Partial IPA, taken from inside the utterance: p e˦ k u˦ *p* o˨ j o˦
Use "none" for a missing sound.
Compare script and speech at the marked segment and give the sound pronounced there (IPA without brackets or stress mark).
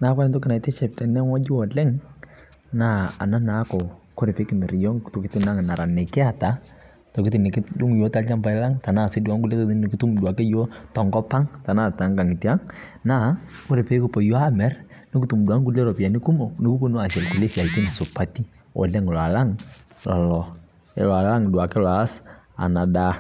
p